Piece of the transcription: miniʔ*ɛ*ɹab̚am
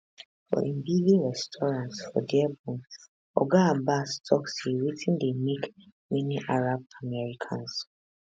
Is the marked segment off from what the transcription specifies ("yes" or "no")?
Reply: yes